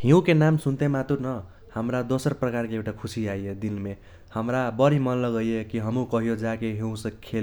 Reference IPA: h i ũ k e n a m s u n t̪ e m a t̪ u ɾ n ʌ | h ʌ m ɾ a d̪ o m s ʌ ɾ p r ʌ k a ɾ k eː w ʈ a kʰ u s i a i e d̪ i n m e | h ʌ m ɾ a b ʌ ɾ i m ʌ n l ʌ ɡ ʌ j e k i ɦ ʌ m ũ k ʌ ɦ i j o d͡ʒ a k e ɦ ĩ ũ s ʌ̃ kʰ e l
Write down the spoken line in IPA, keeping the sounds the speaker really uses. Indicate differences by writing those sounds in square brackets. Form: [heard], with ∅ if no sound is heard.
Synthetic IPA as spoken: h i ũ k e n a m s u n t̪ e m a t̪ u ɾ n ʌ | h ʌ m ɾ a d̪ o [∅] s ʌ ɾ p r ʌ k a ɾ k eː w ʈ a kʰ u s i a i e d̪ i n m e | h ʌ m ɾ a b ʌ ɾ i m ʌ n l ʌ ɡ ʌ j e k i ɦ ʌ m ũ k ʌ ɦ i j o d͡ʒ a k e ɦ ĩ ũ s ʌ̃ kʰ e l